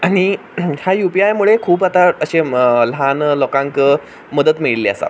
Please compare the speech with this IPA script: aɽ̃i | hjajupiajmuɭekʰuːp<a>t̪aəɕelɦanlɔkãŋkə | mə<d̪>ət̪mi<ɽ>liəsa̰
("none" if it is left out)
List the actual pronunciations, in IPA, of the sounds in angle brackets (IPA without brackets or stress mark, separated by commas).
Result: a, d̪, ɭ